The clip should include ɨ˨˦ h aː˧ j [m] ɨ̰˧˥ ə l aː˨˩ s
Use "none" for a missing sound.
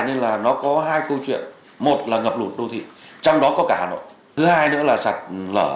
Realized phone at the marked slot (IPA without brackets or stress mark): n